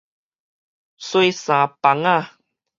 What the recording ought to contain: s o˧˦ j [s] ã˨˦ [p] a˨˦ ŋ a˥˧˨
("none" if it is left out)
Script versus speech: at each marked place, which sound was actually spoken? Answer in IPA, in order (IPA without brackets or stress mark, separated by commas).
s, p